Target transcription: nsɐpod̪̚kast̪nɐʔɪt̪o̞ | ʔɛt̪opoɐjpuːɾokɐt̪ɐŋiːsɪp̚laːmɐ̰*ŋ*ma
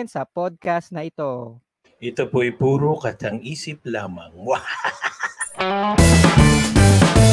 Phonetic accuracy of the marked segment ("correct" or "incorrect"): correct